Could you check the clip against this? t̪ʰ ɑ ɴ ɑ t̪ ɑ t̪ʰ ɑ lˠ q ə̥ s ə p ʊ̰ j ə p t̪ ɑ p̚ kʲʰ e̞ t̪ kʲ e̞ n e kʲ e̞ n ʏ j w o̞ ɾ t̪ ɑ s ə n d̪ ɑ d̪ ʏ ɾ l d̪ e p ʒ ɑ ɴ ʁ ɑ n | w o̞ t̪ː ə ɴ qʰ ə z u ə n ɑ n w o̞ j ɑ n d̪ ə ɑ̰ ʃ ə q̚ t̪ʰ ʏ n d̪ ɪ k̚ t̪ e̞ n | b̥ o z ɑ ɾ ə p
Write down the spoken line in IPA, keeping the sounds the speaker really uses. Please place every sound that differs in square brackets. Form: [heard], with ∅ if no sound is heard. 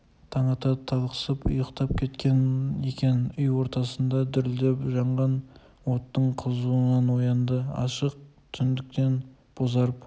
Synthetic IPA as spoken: t̪ʰ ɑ ɴ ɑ t̪ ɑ t̪ʰ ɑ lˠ q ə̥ s ə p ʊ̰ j ə [q] t̪ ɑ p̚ kʲʰ e̞ t̪ kʲ e̞ n e kʲ e̞ n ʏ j w o̞ ɾ t̪ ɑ s ə n d̪ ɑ d̪ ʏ ɾ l d̪ e p ʒ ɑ ɴ ʁ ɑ n | w o̞ t̪ː ə ɴ qʰ ə z u ə n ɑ n w o̞ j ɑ n d̪ ə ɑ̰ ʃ ə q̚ t̪ʰ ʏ n d̪ ɪ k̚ t̪ e̞ n | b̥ o z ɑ ɾ ə p